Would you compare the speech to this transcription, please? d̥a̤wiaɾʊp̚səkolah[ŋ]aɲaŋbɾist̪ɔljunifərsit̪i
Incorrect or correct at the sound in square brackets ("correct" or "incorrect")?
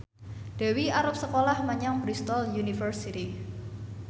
incorrect